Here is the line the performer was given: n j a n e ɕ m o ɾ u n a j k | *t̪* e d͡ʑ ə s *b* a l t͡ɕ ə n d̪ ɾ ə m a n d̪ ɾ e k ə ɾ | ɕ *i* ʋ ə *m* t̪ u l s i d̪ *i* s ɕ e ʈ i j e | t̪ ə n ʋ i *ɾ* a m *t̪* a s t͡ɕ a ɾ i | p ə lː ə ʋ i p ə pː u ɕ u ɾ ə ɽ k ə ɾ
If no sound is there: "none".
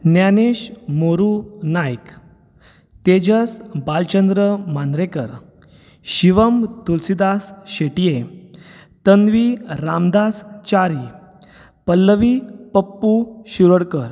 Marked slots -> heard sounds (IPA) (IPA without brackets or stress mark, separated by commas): t̪, b, i, m, a, ɾ, d̪